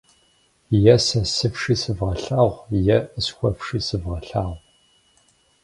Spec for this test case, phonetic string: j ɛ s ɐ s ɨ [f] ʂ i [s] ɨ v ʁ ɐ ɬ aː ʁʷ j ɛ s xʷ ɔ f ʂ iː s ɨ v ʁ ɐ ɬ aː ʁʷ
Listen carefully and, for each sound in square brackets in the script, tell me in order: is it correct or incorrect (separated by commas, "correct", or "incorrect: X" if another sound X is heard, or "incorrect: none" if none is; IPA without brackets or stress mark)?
correct, correct